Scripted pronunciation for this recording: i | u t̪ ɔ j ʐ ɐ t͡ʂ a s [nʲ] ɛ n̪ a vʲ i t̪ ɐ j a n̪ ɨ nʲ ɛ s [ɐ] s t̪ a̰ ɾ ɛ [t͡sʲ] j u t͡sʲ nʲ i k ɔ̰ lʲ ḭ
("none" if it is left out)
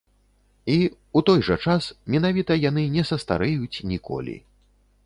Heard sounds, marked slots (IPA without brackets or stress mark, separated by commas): mʲ, ɐ, none